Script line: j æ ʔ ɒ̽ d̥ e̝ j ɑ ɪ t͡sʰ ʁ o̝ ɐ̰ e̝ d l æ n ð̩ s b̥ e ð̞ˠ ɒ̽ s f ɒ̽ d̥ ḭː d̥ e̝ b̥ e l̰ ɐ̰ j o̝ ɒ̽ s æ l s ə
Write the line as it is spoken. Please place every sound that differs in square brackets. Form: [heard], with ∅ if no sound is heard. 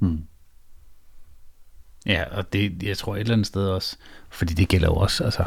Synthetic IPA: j æ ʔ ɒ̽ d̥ e̝ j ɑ ɪ t͡sʰ ʁ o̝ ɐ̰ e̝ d l æ n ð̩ s [d̥] e ð̞ˠ ɒ̽ s f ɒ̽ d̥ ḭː d̥ e̝ [ɡ̥] e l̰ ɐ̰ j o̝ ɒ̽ s æ l s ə